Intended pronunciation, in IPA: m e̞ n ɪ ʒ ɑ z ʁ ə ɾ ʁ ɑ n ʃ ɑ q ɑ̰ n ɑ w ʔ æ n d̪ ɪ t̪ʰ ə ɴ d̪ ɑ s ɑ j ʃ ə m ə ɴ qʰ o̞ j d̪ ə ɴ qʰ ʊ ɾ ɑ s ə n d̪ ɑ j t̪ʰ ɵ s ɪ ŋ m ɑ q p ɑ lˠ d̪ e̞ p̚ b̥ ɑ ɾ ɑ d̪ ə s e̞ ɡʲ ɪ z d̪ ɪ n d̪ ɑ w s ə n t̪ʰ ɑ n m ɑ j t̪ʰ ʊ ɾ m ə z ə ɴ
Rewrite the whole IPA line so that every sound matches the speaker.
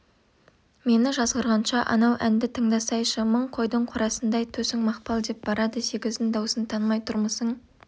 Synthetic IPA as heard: m e̞ n ɪ ʒ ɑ z ʁ ə ɾ ʁ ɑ n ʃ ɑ ʔ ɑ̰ n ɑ w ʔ æ n d̪ ɪ t̪ʰ ə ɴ d̪ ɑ s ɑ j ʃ ə m ə ɴ qʰ o̞ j d̪ ə ɴ qʰ ʊ ɾ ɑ s ə n d̪ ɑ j t̪ʰ ɵ s ɪ ŋ m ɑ q p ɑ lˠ d̪ e̞ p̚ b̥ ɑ ɾ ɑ d̪ ə s e̞ ɡʲ ɪ z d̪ ɪ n d̪ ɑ w s ə n t̪ʰ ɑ n m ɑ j t̪ʰ ʊ ɾ m ə s ə ɴ